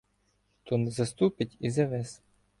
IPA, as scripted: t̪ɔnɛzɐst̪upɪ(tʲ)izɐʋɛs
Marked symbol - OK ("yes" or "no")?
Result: yes